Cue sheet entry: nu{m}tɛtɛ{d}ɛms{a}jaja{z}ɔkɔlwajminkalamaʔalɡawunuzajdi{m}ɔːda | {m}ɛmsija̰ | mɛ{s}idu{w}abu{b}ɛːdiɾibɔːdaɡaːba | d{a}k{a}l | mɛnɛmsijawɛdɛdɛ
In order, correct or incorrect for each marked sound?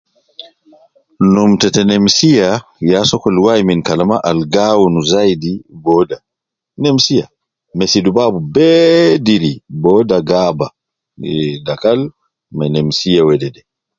correct, incorrect, incorrect, incorrect, incorrect, incorrect, correct, incorrect, correct, correct, correct

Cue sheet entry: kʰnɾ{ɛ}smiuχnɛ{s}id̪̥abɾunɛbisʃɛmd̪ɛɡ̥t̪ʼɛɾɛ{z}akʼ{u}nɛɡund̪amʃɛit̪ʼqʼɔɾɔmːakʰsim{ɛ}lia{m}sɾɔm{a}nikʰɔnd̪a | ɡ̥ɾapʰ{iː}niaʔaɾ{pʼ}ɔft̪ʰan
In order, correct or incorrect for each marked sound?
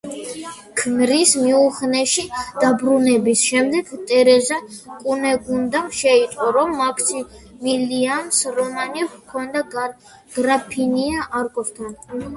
incorrect, incorrect, correct, correct, incorrect, correct, correct, incorrect, incorrect

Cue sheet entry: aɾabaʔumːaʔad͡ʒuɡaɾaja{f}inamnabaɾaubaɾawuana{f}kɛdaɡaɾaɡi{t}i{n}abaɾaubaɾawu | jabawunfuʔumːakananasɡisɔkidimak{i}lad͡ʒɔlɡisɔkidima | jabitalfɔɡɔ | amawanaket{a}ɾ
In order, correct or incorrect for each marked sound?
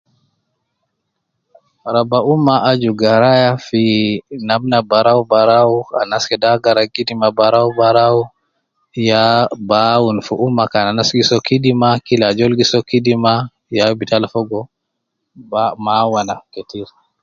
correct, incorrect, incorrect, incorrect, correct, incorrect

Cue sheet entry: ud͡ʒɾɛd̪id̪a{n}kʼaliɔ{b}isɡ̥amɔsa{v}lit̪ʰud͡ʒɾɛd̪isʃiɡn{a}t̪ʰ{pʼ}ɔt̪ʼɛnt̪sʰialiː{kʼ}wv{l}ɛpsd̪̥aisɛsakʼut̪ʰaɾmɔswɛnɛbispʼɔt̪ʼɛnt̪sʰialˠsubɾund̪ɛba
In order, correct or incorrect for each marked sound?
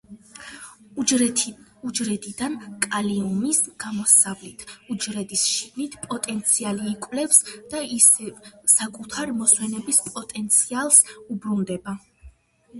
correct, incorrect, correct, incorrect, correct, correct, correct

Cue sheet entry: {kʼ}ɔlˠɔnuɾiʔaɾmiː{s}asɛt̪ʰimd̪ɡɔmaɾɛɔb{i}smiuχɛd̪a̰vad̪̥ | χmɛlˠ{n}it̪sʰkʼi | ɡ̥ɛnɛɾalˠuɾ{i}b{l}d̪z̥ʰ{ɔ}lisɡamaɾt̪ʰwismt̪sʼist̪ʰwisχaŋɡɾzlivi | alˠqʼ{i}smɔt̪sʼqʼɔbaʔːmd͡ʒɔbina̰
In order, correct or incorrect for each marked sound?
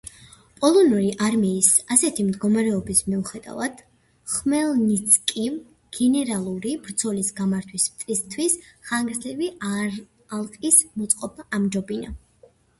incorrect, correct, correct, correct, correct, incorrect, correct, correct

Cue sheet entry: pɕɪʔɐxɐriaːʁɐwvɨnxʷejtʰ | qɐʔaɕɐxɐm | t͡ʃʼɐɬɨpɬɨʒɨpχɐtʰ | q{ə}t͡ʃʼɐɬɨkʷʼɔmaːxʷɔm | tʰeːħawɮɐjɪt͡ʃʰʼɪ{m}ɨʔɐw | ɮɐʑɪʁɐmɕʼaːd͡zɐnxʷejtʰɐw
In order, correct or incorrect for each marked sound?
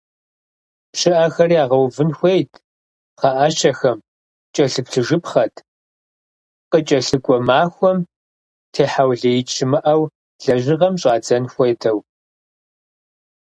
correct, correct

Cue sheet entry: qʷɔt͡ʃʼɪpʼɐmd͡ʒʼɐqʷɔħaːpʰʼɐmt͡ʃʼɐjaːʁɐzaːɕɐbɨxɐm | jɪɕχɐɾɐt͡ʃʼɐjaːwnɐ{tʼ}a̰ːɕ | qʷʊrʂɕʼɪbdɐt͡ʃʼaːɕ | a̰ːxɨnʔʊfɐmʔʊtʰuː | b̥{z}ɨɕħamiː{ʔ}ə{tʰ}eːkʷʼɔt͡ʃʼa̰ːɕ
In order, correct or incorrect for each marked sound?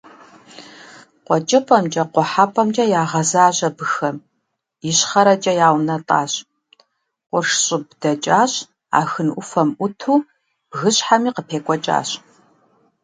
correct, incorrect, incorrect, incorrect

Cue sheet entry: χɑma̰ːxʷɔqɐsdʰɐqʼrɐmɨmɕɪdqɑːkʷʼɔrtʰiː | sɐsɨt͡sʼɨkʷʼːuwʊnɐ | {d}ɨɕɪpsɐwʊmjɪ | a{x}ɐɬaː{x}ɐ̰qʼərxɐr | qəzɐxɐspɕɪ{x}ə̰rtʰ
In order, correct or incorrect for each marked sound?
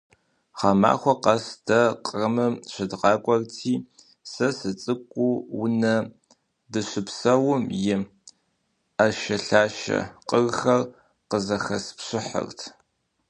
correct, incorrect, incorrect, incorrect

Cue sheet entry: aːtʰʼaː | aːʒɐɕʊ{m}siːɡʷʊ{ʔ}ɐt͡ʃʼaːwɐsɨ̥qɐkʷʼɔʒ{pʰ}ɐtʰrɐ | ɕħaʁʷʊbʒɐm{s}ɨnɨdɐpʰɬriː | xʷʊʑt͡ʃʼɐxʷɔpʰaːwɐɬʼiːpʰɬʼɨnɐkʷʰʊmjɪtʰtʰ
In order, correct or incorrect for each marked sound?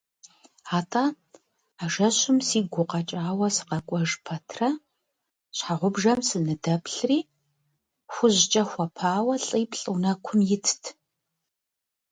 correct, incorrect, correct, correct

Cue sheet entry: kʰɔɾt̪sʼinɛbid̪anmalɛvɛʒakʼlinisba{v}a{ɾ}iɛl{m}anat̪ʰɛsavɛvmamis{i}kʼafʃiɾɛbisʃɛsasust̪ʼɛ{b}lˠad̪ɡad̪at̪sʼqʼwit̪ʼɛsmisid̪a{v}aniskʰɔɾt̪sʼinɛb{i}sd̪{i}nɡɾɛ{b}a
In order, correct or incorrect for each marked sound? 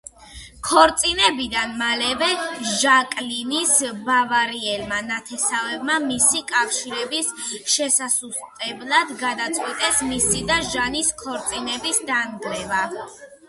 correct, correct, correct, correct, correct, incorrect, correct, incorrect, incorrect

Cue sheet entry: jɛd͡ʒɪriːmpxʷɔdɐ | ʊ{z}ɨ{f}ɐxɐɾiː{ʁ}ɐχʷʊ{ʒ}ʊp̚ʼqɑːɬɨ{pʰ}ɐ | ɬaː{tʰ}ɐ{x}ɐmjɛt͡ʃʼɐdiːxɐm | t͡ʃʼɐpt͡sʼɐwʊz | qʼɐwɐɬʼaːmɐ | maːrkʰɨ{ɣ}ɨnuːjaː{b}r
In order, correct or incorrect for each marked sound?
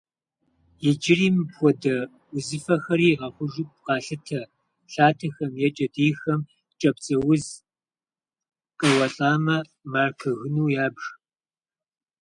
correct, correct, correct, correct, incorrect, correct, correct, correct, correct

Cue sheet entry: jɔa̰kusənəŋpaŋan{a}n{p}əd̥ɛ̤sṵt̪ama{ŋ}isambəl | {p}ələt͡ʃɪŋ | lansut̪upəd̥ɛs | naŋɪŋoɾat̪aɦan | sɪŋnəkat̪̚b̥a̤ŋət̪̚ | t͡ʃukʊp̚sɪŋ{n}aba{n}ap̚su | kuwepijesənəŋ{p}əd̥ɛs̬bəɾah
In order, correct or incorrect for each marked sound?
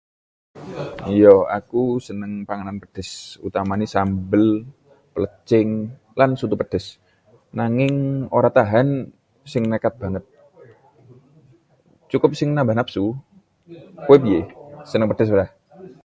correct, correct, incorrect, correct, correct, correct, correct

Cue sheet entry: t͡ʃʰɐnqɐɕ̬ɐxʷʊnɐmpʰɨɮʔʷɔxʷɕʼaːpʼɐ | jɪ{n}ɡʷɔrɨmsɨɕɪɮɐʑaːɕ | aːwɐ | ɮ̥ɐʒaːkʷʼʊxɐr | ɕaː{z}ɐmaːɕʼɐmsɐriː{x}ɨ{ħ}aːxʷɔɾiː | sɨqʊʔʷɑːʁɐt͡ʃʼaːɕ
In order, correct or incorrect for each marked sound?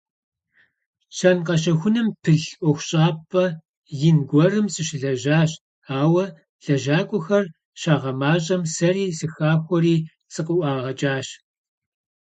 correct, incorrect, incorrect, incorrect

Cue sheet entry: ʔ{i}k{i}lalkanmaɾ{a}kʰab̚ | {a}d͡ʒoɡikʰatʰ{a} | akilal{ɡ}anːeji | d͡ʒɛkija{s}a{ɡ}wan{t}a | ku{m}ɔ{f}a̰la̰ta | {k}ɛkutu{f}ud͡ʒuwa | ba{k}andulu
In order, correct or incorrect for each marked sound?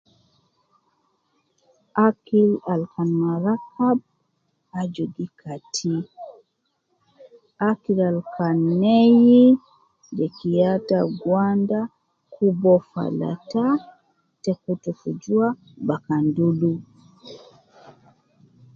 incorrect, correct, correct, correct, incorrect, incorrect, incorrect, correct, incorrect, incorrect, correct, incorrect, correct, correct

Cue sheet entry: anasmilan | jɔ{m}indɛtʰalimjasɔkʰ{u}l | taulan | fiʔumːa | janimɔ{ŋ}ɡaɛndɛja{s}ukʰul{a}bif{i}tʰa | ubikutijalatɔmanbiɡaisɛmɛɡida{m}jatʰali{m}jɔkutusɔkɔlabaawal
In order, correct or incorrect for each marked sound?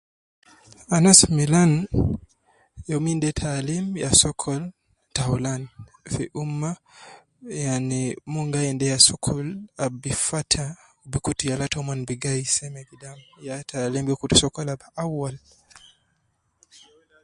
correct, incorrect, correct, correct, correct, incorrect, correct, correct

